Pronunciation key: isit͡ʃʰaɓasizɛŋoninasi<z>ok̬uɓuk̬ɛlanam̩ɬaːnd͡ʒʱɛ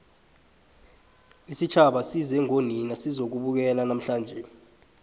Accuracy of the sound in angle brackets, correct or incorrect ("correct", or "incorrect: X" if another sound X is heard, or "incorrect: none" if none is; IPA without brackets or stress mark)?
correct